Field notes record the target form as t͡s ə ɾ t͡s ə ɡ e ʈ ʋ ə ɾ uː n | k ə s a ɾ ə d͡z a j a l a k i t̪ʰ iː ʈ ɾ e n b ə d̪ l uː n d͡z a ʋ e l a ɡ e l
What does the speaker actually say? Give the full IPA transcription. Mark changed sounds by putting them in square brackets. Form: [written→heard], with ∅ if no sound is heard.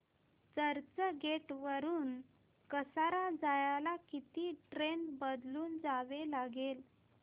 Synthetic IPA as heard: t͡s ə ɾ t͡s ə ɡ e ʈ ʋ ə ɾ uː n | k ə s a ɾ [ə→a] d͡z a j a l a k i [t̪ʰ→t̪] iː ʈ ɾ e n b ə d̪ l uː n d͡z a ʋ e l a ɡ e l